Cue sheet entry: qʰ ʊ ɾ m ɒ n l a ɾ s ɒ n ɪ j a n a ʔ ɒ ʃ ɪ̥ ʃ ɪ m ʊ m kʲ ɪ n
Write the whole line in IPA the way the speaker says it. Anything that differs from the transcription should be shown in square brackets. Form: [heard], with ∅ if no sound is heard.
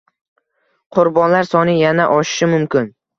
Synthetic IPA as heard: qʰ ʊ ɾ [b] ɒ n l a ɾ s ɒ n ɪ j a n a ʔ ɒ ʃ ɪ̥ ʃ ɪ m ʊ m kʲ ɪ n